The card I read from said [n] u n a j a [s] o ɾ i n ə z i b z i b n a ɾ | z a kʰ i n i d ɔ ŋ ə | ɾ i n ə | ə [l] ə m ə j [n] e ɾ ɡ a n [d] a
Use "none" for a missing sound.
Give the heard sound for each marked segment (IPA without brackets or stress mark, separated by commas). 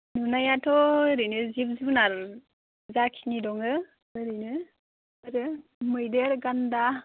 n, t, ɾ, d, d